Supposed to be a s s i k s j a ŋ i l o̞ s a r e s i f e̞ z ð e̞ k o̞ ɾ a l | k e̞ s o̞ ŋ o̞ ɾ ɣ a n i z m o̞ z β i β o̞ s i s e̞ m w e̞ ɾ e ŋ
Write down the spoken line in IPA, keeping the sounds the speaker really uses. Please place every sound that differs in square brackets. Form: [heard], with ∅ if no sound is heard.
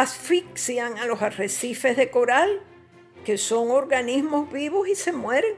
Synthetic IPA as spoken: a s [f] i k s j a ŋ [a] l o̞ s a r e s i f e̞ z ð e̞ k o̞ ɾ a l | k e̞ s o̞ ŋ o̞ ɾ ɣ a n i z m o̞ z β i β o̞ s i s e̞ m w e̞ ɾ e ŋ